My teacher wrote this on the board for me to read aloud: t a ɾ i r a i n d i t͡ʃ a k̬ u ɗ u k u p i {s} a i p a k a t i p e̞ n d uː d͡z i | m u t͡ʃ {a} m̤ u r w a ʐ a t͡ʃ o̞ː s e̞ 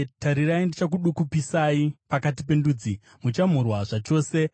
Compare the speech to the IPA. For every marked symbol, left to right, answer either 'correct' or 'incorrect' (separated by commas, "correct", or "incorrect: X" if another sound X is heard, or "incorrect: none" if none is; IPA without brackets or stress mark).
correct, correct